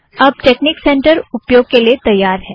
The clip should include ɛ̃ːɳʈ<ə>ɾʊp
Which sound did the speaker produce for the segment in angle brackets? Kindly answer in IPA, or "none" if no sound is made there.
ə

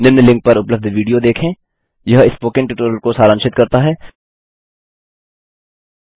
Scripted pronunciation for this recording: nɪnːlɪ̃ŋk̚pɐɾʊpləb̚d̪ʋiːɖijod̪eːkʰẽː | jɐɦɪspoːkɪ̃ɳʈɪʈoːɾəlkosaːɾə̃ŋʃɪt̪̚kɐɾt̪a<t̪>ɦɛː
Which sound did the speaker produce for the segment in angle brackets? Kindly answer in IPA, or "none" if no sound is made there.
none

